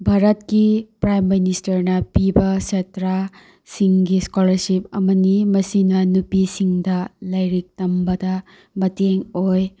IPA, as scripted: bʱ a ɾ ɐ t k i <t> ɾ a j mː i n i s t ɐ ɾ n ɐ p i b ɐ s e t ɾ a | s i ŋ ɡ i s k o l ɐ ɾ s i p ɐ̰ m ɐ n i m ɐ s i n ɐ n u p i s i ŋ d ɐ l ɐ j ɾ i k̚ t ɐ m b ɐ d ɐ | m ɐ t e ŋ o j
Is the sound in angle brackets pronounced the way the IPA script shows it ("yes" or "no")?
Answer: no